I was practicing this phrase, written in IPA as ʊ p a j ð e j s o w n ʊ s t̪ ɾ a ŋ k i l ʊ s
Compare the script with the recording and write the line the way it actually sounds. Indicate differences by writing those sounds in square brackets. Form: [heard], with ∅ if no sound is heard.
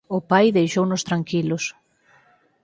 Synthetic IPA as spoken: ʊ p a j ð e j [ʃ] o w n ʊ s t̪ ɾ a ŋ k i l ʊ s